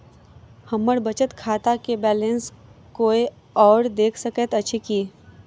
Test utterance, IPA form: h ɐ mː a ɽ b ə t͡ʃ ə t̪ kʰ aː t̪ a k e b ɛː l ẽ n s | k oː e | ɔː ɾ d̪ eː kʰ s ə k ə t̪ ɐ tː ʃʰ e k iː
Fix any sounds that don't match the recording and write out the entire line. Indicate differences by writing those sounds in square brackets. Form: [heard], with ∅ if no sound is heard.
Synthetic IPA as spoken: h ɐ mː [ə] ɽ b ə t͡ʃ ə t̪ kʰ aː t̪ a k e b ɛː l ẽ n s | k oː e | ɔː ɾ d̪ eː kʰ s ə k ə t̪ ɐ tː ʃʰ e k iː